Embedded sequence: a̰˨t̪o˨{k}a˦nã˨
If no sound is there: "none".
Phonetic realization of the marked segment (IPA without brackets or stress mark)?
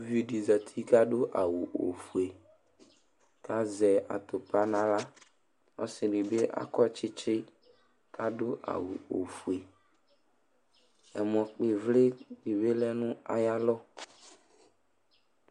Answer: p